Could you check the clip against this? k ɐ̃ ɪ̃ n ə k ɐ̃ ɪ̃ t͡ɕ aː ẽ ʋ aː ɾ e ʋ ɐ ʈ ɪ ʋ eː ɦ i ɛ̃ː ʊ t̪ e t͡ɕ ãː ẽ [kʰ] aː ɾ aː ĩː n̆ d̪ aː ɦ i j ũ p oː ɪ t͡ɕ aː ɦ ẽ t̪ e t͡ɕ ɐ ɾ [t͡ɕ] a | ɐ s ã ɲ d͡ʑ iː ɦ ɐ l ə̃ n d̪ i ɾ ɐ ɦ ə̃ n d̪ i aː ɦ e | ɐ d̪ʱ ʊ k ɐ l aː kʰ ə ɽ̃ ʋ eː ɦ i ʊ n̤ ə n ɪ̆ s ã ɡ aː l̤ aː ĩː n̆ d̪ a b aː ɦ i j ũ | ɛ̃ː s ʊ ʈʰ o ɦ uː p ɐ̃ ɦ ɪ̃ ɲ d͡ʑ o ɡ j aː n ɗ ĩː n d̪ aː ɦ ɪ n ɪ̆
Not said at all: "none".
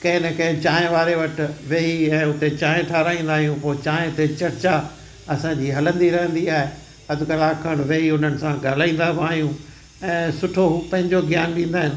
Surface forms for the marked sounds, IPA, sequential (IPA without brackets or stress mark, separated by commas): ʈʰ, t͡ɕ